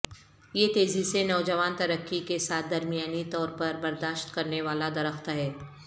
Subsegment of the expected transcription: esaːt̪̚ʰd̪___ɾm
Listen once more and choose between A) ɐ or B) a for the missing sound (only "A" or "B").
A